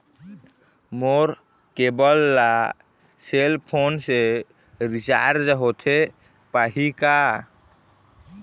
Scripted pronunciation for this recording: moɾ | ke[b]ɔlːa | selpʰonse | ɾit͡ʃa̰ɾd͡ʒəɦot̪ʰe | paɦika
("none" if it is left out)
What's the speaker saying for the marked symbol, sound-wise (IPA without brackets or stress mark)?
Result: b